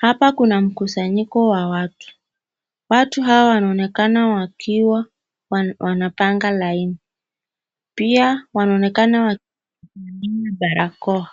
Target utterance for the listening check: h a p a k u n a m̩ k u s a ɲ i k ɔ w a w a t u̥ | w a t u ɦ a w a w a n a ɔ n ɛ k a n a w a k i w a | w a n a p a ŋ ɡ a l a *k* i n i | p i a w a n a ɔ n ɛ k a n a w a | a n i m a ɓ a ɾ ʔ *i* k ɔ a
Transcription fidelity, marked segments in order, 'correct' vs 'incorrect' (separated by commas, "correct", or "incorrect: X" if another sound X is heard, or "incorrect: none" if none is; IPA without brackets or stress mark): incorrect: none, incorrect: a